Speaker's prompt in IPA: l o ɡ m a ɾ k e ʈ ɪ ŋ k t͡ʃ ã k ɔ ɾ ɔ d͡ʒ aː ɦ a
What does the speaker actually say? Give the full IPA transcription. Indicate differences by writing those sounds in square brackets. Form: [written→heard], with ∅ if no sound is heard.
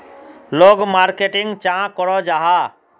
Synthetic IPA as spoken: l o ɡ m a ɾ k e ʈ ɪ ŋ [k→ɡ] t͡ʃ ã k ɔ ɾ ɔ d͡ʒ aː ɦ a